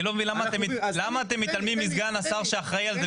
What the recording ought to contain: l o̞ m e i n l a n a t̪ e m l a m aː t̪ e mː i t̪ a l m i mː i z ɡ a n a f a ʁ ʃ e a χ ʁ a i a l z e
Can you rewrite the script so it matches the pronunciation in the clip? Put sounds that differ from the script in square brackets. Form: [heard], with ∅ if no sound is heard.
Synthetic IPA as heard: l o̞ m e i n l a [m] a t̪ e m l a m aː t̪ e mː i t̪ a l m i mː i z ɡ a n a [s] a ʁ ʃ e a χ ʁ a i a l z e